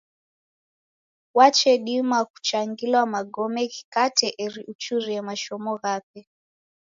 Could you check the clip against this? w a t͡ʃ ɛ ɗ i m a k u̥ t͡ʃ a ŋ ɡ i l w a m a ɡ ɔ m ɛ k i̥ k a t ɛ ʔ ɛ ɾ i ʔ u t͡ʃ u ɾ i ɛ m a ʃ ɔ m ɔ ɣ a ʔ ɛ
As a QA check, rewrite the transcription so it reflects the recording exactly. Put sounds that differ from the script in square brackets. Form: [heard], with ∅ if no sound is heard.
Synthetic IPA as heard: w a t͡ʃ ɛ ɗ i m a k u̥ t͡ʃ a ŋ ɡ i l w a m a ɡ ɔ m ɛ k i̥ k a t ɛ ʔ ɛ ɾ i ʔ u t͡ʃ u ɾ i ɛ m a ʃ ɔ m ɔ ɣ a [p] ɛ